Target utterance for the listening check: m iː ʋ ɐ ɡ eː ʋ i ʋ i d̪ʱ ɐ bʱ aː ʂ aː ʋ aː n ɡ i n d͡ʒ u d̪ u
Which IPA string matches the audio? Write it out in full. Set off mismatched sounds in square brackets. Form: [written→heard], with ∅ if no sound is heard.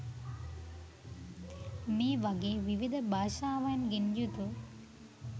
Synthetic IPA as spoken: m iː ʋ ɐ ɡ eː ʋ i ʋ i d̪ʱ ɐ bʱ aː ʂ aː ʋ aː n ɡ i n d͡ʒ u [d̪→t̪] u